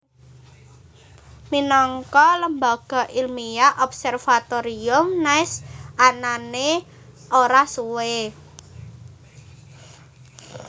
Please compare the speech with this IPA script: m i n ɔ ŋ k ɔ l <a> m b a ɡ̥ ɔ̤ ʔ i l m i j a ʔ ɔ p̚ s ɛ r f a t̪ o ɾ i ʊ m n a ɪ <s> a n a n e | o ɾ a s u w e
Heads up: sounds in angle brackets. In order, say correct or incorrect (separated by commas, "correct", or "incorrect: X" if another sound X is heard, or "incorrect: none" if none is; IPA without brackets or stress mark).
incorrect: ə, correct